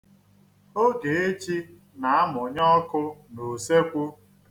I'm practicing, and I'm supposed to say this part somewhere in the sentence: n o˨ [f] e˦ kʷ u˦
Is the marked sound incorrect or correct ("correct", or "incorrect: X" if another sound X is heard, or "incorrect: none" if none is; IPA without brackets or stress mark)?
incorrect: s